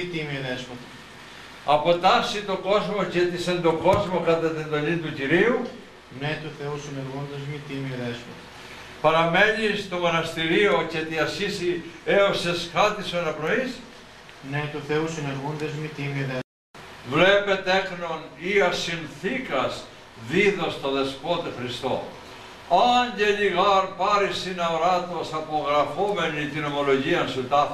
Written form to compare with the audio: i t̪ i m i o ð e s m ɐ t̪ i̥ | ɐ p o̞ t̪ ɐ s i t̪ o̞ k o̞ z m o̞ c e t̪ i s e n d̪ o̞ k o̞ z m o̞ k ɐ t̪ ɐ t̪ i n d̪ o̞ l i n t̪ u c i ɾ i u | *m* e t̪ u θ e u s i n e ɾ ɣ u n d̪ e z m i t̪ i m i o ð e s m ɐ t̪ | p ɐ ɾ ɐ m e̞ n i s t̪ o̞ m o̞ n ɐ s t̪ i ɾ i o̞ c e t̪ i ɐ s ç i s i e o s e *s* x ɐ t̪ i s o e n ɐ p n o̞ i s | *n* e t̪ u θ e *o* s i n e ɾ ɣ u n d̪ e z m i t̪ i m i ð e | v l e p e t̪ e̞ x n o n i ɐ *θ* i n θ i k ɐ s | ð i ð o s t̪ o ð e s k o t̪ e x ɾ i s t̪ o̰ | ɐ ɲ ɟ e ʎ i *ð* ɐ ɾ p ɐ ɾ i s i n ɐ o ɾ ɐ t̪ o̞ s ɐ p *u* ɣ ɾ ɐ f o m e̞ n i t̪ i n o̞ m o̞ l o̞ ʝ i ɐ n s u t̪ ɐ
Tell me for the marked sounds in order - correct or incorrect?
incorrect: n, correct, correct, incorrect: u, incorrect: s, incorrect: ɣ, incorrect: o

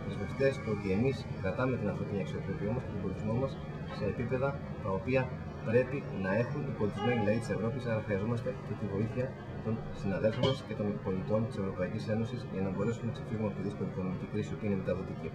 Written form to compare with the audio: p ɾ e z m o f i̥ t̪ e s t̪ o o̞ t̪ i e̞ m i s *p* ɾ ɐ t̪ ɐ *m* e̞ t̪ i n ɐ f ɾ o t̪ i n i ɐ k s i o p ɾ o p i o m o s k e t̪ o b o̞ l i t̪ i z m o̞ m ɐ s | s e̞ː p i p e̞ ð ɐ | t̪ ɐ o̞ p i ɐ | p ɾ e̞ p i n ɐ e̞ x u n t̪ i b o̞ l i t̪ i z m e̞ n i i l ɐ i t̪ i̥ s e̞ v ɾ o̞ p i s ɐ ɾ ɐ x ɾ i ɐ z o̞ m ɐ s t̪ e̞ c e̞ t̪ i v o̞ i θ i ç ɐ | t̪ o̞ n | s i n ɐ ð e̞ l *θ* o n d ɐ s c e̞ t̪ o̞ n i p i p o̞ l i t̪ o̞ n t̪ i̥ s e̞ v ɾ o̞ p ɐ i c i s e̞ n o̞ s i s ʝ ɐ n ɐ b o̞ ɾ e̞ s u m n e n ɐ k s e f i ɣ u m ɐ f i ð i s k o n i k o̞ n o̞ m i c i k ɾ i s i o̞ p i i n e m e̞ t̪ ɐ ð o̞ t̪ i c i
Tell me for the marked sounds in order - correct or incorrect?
incorrect: k, correct, incorrect: f

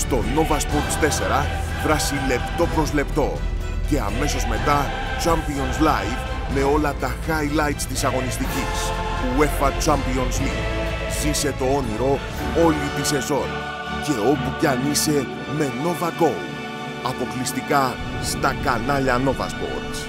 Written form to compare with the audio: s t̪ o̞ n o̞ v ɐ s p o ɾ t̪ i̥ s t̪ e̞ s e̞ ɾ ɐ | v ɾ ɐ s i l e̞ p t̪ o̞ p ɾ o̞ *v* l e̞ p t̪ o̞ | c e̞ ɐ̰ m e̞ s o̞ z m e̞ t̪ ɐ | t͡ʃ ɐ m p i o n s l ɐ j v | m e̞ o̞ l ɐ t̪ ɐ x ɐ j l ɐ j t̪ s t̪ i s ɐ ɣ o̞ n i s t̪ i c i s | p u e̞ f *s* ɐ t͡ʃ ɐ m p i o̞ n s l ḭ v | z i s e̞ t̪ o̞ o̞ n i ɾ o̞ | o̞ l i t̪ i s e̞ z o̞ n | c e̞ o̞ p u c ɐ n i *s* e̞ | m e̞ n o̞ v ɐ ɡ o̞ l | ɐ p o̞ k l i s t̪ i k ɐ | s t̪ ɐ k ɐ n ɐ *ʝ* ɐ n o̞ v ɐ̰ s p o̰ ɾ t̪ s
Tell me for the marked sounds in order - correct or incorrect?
incorrect: z, incorrect: f, correct, incorrect: ʎ

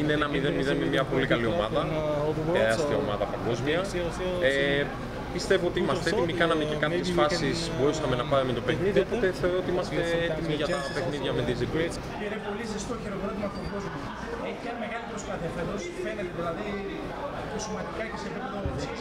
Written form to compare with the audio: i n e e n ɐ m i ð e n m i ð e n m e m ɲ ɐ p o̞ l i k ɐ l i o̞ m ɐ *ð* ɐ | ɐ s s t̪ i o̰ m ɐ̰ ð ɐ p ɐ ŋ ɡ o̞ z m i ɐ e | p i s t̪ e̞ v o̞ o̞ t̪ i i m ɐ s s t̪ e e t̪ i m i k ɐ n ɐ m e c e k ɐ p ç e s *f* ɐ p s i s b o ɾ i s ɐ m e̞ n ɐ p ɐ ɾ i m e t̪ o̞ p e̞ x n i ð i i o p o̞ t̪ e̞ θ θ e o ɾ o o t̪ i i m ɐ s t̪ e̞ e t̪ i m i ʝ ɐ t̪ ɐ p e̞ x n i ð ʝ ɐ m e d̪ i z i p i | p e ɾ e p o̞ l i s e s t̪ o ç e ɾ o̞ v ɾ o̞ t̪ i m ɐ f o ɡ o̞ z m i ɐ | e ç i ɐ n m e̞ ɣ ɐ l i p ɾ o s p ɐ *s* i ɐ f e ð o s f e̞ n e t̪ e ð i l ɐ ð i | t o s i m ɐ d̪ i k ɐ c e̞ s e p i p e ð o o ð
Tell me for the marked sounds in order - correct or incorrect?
correct, correct, incorrect: θ

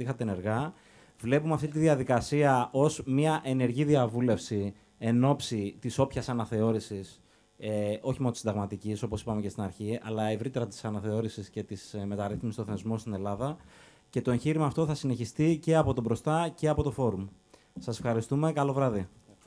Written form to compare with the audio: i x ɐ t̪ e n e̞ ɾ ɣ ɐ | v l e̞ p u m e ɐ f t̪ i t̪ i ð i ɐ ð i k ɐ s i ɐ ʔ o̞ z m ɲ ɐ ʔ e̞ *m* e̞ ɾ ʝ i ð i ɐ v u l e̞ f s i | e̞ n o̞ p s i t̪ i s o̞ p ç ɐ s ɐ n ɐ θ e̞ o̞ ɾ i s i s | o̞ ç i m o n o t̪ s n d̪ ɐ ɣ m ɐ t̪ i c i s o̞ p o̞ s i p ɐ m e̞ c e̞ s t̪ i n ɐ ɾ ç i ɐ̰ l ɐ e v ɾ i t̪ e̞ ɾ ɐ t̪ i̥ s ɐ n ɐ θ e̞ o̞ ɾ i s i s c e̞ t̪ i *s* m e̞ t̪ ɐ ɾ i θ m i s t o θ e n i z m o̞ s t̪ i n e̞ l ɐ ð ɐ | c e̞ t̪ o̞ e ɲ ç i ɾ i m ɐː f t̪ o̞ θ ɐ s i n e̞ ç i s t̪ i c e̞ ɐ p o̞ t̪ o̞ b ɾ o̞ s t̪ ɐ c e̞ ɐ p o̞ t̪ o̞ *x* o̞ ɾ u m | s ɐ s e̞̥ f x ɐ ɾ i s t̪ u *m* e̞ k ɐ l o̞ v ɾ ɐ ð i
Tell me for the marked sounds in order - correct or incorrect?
incorrect: n, correct, incorrect: f, correct

